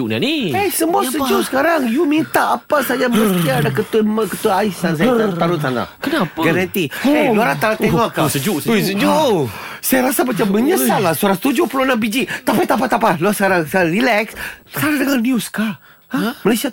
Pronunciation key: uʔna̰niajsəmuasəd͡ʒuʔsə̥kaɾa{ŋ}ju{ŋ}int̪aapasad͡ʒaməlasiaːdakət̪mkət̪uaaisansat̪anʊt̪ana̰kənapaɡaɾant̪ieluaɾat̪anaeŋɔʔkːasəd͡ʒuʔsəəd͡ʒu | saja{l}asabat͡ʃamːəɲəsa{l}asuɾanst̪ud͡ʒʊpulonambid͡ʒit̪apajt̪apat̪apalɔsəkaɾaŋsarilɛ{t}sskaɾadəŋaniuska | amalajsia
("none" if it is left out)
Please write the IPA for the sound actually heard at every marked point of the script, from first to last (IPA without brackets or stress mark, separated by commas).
ŋ, m, ɾ, l, k